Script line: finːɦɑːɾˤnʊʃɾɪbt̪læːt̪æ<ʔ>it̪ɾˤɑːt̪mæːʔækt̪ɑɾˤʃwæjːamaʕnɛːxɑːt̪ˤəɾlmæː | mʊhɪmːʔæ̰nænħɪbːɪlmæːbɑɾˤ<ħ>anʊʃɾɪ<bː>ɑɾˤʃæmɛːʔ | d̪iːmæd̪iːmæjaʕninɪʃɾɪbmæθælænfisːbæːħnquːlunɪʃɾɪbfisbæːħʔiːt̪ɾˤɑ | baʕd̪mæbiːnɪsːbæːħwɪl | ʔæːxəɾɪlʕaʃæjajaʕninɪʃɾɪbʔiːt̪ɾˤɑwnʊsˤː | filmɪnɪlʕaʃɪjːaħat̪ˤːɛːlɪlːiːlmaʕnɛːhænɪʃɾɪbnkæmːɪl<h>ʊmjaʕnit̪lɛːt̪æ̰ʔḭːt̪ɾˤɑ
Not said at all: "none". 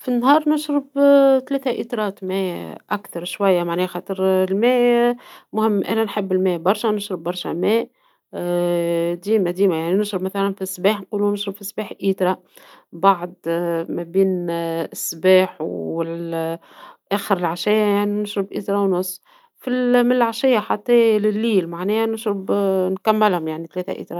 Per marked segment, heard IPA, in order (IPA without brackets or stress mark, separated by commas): ʔ, ʃ, bː, h